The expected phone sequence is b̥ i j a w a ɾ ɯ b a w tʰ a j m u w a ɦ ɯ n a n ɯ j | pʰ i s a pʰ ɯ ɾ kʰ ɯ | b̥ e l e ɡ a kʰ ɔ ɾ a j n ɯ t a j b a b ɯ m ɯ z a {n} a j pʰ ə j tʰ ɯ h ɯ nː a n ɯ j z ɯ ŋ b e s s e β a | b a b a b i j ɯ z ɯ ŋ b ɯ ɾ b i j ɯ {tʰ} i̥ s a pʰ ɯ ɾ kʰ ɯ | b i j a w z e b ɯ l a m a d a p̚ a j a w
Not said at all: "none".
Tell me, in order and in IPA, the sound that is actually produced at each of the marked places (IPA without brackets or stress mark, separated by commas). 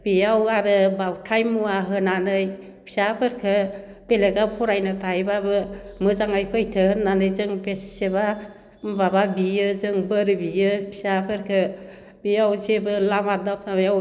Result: ŋ, pʰ